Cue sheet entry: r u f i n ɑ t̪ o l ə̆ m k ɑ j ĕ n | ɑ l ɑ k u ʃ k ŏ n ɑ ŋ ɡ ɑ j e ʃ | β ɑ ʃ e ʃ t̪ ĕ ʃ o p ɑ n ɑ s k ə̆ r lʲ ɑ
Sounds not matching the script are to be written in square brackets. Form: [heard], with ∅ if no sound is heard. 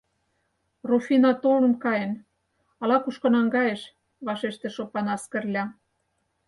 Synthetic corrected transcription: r u f i n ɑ t̪ o l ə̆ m k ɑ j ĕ n | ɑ l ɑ k u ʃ k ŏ n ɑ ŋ ɡ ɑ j e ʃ | β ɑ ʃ e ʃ t̪ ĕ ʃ o p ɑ n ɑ s k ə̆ r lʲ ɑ